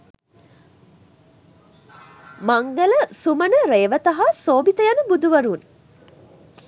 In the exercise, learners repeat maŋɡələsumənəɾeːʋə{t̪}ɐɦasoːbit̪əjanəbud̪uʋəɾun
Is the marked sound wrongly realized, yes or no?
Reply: no